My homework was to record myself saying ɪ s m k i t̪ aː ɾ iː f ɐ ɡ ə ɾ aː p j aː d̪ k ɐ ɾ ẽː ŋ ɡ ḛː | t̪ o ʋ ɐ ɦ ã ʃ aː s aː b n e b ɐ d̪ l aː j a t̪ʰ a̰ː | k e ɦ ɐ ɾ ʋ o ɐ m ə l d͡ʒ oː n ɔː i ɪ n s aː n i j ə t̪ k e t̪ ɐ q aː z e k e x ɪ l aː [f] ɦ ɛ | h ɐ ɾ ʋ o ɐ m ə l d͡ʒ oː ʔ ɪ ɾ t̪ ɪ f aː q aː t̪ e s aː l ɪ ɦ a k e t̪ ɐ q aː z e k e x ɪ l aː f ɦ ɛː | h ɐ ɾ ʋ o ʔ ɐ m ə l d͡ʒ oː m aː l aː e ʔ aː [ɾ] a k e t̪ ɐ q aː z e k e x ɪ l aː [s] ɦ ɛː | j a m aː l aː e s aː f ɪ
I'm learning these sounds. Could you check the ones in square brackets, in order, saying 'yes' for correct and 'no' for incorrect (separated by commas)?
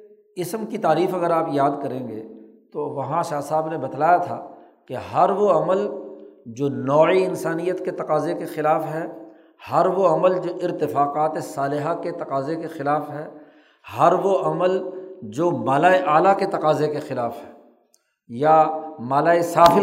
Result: yes, no, no